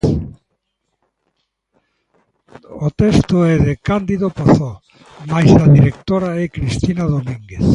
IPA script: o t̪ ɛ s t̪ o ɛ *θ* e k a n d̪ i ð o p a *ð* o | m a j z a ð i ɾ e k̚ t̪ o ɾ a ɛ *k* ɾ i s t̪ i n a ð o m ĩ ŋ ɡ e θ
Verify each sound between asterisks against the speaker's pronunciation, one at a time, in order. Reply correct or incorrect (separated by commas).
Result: incorrect, incorrect, correct